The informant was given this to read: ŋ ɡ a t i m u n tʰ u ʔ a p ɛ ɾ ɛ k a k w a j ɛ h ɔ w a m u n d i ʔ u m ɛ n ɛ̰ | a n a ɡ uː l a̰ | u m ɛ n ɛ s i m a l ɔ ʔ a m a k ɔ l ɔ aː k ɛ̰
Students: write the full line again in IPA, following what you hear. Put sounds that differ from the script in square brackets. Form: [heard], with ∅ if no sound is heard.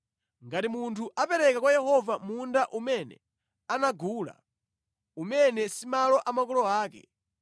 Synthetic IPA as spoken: ŋ ɡ a t i m u n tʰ u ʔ a p ɛ ɾ ɛ k a k w a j ɛ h ɔ [v] a m u n d [a] ʔ u m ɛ n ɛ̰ | a n a ɡ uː l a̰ | u m ɛ n ɛ s i m a l ɔ ʔ a m a k ɔ l ɔ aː k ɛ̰